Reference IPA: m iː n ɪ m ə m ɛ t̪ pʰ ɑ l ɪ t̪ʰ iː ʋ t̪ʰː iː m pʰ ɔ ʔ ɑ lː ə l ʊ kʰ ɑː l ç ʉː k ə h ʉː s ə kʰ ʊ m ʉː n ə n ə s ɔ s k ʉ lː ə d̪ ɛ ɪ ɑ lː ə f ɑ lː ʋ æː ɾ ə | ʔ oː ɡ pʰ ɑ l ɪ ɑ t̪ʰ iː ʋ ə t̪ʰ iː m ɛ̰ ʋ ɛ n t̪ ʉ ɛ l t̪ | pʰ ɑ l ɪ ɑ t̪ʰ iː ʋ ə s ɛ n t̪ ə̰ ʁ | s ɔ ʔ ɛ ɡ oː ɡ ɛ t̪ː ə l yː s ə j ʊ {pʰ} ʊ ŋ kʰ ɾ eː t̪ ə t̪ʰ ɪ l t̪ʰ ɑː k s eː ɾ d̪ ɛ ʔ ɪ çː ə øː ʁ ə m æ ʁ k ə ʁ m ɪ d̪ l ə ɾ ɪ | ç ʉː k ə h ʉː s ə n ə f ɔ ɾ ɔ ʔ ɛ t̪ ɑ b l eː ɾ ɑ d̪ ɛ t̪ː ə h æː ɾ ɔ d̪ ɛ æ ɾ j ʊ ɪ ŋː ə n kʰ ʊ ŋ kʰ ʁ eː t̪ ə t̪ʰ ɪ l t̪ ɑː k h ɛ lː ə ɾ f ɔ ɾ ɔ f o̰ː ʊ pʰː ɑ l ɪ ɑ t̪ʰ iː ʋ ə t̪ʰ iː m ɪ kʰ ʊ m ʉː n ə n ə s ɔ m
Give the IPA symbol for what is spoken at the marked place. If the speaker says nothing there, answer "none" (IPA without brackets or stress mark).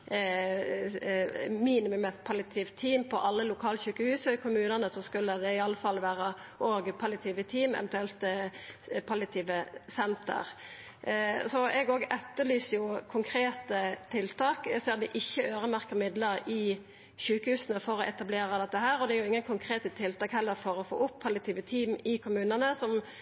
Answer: kʰ